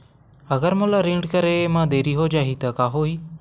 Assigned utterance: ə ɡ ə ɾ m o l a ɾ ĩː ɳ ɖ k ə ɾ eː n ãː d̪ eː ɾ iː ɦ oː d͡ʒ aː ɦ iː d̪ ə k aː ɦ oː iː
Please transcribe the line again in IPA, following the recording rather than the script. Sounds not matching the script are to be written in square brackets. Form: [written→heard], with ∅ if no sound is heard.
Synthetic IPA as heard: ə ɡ ə ɾ m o l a ɾ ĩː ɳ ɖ k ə ɾ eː [n→m] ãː d̪ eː ɾ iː ɦ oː d͡ʒ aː ɦ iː [d̪→t̪] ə k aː ɦ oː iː